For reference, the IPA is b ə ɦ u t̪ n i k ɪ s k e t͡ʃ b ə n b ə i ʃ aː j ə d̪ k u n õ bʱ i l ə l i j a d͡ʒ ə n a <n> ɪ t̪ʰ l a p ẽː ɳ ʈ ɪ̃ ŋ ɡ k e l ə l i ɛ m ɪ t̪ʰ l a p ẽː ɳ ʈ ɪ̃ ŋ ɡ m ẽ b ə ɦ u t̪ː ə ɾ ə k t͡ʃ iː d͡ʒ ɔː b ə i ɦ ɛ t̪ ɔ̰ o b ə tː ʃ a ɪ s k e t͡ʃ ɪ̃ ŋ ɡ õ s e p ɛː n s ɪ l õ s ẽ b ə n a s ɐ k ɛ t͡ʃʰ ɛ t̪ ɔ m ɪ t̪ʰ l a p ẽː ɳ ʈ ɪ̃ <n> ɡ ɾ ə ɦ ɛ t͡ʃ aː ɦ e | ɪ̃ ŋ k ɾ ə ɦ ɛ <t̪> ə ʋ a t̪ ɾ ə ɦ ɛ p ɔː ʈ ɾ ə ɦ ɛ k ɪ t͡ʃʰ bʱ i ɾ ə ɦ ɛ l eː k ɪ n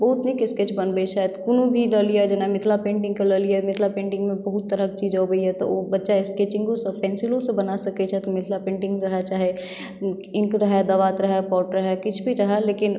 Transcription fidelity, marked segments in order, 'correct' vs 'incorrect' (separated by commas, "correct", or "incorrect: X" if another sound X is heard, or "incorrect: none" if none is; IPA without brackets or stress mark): incorrect: m, incorrect: ŋ, incorrect: d̪